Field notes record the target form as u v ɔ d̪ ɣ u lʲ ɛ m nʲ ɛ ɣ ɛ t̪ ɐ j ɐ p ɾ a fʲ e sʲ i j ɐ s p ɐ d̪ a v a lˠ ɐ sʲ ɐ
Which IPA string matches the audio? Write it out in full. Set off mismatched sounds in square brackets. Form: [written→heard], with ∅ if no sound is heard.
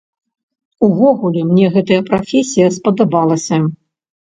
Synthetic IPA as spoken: u v ɔ [d̪→∅] ɣ u lʲ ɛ m nʲ ɛ ɣ ɛ t̪ ɐ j ɐ p ɾ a fʲ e sʲ i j ɐ s p ɐ d̪ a [v→b] a lˠ ɐ sʲ ɐ